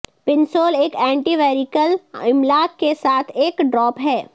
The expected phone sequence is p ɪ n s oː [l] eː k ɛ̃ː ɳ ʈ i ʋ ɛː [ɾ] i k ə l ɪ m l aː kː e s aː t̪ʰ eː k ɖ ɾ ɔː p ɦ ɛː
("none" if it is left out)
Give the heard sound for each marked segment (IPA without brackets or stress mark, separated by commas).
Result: l, ɾ